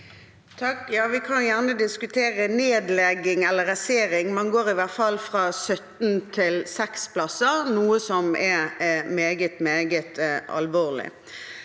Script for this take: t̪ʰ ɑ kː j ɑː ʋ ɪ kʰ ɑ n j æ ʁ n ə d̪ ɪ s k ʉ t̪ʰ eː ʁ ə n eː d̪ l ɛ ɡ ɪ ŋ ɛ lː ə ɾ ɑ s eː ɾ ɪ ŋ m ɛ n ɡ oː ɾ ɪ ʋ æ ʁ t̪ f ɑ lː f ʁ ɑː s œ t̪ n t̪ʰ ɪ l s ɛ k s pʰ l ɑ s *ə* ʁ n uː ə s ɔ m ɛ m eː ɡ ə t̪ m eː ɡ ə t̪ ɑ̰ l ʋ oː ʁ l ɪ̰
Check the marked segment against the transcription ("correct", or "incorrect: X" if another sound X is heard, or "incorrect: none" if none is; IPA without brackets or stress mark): correct